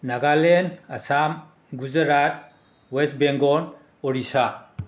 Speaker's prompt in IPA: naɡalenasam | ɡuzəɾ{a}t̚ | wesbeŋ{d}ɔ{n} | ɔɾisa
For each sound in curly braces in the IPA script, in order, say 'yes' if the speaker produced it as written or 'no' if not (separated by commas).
yes, no, yes